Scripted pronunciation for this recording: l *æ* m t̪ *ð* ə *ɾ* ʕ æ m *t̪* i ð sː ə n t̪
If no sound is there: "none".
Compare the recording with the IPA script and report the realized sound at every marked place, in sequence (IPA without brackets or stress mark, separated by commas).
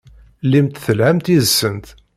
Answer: i, θ, l, t̪